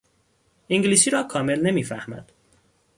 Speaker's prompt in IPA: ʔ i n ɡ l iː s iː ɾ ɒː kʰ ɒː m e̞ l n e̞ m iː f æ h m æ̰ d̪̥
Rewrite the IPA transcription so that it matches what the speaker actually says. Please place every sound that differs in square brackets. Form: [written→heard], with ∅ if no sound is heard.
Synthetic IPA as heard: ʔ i [n→ŋ] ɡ l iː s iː ɾ ɒː kʰ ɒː m e̞ l n e̞ m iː f æ h m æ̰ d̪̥